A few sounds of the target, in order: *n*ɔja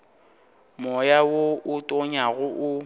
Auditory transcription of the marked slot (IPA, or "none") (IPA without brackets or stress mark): m